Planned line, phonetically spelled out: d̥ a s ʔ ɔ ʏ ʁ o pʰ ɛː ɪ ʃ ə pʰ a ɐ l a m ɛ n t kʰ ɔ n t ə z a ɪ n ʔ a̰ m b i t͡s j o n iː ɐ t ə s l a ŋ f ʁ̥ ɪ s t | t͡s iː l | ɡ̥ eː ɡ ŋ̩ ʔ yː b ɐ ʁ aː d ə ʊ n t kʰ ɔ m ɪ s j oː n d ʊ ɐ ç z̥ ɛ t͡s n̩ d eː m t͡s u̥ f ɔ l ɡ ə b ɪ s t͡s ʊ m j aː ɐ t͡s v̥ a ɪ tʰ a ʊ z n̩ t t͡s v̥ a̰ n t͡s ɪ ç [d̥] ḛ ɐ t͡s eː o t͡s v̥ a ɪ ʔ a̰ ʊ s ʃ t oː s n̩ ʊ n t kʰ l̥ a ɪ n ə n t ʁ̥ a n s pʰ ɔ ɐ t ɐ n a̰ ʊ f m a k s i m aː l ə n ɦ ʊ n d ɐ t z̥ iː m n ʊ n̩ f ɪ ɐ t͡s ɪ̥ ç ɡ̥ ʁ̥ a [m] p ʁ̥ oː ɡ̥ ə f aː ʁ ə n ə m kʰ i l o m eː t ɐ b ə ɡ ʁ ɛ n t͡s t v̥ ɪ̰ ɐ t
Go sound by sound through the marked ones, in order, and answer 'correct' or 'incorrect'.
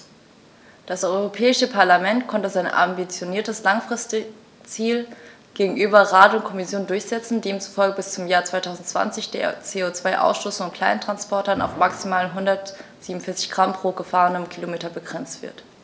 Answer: correct, correct

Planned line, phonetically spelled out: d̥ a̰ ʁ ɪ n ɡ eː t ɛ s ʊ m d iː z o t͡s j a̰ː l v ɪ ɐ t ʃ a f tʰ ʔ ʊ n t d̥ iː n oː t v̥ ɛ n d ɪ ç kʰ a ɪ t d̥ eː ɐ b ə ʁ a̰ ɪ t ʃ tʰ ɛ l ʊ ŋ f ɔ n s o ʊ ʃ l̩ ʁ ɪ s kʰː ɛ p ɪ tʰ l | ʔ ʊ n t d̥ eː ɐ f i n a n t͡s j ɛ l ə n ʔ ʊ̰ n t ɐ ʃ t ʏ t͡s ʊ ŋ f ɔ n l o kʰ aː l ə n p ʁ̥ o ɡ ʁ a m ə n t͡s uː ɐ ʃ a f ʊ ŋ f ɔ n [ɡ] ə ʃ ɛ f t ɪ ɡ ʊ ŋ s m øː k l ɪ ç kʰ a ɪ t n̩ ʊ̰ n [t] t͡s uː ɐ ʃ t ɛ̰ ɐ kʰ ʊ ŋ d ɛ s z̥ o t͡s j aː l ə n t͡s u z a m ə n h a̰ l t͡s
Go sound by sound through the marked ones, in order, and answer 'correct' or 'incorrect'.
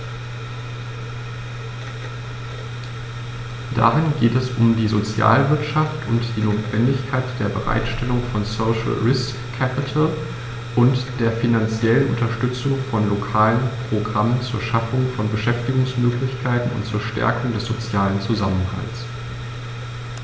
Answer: incorrect, correct

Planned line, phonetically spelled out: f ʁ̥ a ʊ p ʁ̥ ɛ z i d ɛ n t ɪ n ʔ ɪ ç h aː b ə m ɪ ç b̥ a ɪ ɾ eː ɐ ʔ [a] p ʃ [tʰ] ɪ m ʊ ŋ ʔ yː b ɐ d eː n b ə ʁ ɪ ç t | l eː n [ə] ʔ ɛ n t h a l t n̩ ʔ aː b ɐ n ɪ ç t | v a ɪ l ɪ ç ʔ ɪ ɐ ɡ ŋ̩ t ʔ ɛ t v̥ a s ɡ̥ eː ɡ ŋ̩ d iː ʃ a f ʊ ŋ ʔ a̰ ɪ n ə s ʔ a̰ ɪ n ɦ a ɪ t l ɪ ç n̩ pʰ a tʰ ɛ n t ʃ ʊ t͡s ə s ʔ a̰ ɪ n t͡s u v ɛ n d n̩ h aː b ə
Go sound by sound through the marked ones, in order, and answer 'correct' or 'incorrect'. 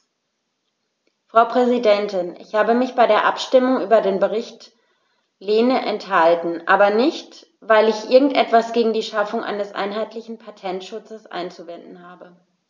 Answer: correct, incorrect, correct

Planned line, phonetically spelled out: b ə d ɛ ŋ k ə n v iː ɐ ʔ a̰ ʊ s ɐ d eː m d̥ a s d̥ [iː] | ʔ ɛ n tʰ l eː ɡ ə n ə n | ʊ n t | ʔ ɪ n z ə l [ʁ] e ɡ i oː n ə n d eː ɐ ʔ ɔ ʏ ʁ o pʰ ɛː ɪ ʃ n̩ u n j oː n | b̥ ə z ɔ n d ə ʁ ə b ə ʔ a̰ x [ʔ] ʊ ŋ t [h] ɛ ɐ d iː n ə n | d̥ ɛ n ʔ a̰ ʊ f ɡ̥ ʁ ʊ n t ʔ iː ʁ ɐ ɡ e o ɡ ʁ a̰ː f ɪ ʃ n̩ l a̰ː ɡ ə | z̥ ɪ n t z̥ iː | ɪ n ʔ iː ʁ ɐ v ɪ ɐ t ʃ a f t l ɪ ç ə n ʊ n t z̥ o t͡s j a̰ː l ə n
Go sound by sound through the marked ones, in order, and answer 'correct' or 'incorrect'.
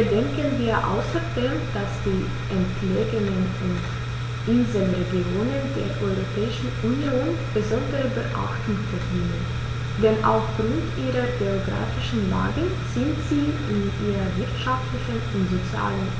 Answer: correct, correct, incorrect, incorrect

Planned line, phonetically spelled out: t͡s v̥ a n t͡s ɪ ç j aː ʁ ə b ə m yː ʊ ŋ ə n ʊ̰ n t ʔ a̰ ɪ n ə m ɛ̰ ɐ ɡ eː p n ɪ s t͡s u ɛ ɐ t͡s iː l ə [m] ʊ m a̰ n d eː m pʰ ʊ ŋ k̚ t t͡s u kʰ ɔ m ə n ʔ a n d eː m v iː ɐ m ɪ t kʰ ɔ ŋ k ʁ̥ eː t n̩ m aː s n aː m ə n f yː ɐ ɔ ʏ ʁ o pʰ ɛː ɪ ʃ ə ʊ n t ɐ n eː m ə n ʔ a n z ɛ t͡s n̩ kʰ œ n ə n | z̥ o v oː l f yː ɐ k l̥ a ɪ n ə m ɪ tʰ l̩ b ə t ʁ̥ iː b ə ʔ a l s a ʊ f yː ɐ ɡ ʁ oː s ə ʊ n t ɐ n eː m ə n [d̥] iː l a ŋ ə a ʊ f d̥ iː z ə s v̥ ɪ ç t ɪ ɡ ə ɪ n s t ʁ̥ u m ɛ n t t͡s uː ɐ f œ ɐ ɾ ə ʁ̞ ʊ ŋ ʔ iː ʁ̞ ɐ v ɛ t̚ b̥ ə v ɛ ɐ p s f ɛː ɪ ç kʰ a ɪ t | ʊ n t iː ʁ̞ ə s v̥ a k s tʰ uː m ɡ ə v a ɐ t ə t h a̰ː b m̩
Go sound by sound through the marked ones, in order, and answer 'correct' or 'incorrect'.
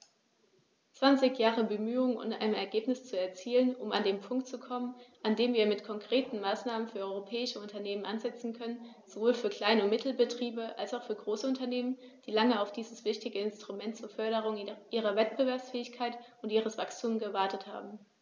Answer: incorrect, correct

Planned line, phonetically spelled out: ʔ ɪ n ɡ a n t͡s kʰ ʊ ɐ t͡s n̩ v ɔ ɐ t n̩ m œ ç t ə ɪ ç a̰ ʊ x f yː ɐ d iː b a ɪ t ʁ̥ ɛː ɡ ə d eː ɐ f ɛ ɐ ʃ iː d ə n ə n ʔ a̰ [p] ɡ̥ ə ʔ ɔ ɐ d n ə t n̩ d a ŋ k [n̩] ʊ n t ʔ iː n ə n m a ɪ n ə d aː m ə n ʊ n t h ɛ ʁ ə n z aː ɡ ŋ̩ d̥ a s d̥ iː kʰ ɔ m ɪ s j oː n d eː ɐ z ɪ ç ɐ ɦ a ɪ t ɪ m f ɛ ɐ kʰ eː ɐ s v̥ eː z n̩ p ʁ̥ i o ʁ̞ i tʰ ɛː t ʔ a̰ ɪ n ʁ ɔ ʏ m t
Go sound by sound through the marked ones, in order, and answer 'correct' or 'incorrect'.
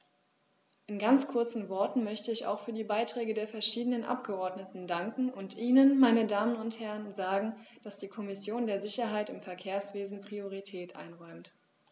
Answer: correct, incorrect

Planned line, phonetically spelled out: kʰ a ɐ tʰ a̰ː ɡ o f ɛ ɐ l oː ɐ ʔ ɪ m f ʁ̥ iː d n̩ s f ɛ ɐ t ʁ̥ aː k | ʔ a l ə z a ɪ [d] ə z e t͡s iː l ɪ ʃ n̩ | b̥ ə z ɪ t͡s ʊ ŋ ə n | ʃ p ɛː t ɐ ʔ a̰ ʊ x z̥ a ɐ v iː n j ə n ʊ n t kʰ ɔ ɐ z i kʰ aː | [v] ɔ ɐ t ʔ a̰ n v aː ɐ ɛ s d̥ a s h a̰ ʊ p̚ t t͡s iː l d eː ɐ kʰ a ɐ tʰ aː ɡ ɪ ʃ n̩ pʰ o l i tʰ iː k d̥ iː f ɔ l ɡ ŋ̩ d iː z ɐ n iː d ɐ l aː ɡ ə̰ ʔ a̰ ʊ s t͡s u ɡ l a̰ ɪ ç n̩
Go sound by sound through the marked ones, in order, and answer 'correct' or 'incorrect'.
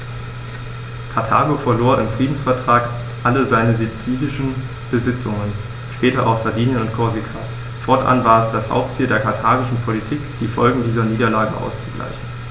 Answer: incorrect, incorrect

